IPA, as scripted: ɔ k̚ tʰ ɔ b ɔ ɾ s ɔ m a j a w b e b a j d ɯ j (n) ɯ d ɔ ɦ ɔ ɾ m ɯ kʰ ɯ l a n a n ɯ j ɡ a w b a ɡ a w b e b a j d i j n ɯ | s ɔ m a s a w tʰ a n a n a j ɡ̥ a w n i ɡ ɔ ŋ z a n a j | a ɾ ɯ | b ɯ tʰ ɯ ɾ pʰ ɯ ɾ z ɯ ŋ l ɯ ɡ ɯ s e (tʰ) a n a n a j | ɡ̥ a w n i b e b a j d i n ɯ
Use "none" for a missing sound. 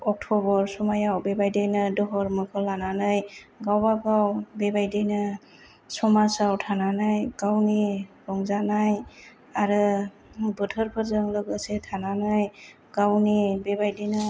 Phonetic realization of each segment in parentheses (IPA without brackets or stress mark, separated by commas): n, tʰ